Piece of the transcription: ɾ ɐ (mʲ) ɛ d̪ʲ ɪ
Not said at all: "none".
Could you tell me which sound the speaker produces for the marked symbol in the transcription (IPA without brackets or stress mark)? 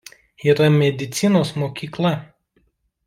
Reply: mʲ